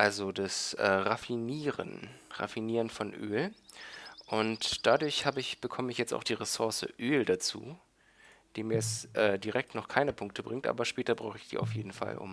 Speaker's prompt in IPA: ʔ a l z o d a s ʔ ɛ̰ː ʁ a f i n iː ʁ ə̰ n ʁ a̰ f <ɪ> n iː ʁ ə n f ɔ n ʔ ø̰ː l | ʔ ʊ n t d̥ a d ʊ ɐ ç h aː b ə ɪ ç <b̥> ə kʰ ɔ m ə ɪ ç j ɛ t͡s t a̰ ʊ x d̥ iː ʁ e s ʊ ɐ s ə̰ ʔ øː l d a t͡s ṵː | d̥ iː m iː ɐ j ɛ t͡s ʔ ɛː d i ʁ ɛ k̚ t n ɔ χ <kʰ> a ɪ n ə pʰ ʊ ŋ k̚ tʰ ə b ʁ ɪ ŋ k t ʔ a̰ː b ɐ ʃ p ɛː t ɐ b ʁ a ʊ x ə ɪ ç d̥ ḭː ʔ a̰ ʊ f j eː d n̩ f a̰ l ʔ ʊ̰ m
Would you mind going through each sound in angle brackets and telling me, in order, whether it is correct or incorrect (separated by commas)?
incorrect, correct, correct